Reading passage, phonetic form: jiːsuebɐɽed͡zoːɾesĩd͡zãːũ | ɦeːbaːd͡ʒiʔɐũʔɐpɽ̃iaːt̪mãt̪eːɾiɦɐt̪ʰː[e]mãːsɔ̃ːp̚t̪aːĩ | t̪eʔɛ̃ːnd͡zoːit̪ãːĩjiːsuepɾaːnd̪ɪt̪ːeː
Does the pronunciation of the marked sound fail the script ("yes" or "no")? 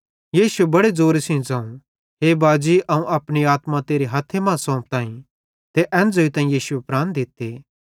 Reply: no